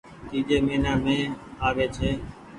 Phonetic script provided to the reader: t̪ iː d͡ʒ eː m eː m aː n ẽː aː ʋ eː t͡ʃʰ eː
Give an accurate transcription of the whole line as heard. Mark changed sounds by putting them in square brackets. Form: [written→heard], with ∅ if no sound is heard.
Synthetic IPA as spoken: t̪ iː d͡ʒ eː m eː [m→n] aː [n→m] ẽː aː ʋ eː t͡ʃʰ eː